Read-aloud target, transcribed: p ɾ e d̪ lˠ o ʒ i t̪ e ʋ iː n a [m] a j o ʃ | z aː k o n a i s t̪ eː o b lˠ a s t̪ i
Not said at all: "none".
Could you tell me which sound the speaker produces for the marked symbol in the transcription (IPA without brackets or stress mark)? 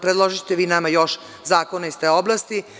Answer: m